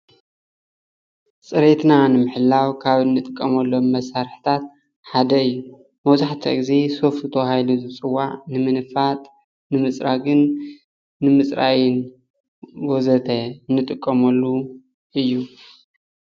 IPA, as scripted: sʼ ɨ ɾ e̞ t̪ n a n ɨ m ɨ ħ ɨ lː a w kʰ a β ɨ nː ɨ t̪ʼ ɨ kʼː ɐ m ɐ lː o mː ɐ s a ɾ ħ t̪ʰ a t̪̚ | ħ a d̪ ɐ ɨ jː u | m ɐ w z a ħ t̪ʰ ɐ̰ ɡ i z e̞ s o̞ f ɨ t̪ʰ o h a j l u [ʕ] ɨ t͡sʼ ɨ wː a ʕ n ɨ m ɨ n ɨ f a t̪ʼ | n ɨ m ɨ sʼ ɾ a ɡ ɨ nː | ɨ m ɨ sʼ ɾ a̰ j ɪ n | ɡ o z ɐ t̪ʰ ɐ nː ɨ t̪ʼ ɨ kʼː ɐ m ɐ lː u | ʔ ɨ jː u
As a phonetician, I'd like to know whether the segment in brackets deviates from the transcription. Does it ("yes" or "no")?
yes